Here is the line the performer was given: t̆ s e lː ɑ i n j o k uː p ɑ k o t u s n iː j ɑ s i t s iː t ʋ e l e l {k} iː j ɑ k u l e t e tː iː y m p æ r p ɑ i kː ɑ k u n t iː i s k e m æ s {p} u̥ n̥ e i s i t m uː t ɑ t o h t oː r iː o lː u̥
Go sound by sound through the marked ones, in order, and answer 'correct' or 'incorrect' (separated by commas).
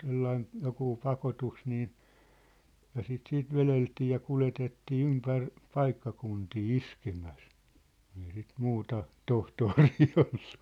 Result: incorrect, incorrect